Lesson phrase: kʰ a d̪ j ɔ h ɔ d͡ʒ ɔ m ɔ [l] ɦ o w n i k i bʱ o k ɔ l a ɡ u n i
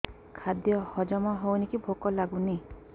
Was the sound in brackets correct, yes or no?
no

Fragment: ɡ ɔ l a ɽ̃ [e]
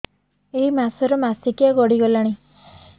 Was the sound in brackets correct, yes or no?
no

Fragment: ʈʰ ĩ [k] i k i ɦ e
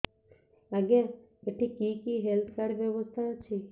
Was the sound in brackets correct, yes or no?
yes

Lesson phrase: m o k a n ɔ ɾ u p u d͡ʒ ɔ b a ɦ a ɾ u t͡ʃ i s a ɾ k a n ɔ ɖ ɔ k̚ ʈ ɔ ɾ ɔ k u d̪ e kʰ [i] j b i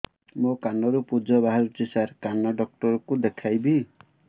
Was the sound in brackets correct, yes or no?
no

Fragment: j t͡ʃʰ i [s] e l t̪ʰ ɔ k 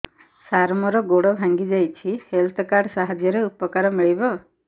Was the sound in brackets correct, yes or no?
no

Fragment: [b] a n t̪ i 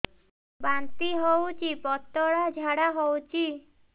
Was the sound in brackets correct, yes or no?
yes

